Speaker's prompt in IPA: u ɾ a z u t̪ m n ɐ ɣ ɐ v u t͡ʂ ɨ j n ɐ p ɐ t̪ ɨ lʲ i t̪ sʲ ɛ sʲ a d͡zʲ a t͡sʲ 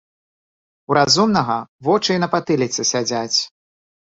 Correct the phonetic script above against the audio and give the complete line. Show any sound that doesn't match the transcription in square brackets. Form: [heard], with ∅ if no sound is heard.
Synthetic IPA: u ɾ a z u [∅] m n ɐ ɣ ɐ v [ɔ] t͡ʂ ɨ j n ɐ p [a] t̪ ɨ lʲ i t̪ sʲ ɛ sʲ a d͡zʲ a t͡sʲ

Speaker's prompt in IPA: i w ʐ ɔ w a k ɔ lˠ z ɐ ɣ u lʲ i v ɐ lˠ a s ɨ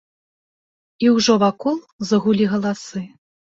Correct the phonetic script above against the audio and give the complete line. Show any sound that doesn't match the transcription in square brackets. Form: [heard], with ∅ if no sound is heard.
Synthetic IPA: i w ʐ ɔ [v] a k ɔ lˠ z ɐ ɣ u lʲ i [ɣ] ɐ lˠ a s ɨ

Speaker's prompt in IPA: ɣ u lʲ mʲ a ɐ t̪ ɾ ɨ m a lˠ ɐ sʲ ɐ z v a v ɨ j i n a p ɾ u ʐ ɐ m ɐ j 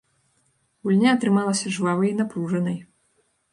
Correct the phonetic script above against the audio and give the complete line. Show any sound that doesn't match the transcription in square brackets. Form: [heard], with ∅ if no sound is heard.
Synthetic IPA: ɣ u lʲ [nʲ] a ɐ t̪ ɾ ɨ m a lˠ ɐ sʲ ɐ [ʐ] v a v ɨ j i n a p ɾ u ʐ ɐ [n] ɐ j

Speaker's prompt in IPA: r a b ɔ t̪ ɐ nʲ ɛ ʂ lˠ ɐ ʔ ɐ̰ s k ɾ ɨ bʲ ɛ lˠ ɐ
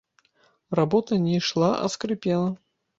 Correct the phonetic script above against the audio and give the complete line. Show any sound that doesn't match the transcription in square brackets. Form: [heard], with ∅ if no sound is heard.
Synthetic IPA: r a b ɔ t̪ ɐ nʲ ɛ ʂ lˠ [a] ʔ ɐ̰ s k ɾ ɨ [pʲ] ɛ lˠ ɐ

